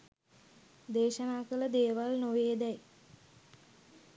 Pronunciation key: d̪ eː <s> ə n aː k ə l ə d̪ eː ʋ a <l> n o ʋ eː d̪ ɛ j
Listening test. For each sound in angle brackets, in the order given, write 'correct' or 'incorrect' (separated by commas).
incorrect, correct